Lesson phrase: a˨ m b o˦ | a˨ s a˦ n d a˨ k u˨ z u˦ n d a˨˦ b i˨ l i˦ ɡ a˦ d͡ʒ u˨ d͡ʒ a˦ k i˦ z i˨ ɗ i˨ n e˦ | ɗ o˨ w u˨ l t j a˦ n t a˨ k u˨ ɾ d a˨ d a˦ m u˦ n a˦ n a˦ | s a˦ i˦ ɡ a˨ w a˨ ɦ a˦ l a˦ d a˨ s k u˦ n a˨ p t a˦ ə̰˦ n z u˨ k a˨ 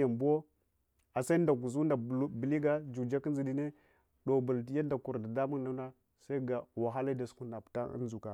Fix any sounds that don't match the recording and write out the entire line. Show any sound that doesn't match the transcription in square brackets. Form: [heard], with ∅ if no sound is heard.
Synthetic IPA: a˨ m b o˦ | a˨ s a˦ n d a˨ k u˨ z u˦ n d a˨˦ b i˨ l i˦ ɡ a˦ d͡ʒ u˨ d͡ʒ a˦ k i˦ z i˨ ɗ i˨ n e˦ | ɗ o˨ [b] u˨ l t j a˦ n [d] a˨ k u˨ ɾ d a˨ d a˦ m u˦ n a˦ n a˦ | s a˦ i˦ ɡ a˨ w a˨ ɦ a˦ l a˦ d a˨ s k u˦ n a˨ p t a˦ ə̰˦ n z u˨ k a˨